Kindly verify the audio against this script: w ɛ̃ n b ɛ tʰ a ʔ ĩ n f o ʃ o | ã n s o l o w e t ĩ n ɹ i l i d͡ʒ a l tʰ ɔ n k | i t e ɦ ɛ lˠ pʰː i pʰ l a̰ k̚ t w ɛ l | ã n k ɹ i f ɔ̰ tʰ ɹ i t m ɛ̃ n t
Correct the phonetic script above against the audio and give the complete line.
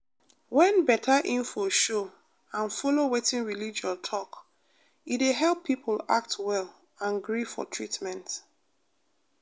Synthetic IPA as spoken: w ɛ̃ n b ɛ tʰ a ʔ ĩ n f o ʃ o | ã n f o l o w e t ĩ n ɹ i l i d͡ʒ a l tʰ ɔ k | i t e ɦ ɛ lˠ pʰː i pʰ l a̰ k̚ t w ɛ l | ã n ɡ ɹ i f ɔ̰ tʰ ɹ i t m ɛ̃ n t